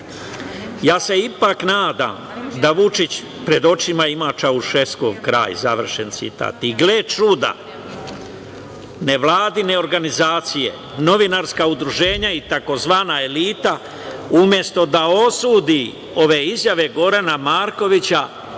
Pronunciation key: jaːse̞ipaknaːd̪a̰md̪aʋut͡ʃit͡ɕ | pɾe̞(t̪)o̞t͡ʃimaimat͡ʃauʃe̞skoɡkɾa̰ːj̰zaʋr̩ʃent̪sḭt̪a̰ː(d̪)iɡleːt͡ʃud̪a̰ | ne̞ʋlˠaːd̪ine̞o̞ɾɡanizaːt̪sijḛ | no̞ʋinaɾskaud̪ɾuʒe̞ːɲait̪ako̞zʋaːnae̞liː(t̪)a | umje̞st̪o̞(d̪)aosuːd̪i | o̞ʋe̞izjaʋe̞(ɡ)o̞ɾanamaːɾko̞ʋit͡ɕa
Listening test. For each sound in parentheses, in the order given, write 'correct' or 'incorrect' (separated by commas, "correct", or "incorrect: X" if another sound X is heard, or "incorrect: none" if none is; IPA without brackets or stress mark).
incorrect: d̪, incorrect: t̪, correct, correct, correct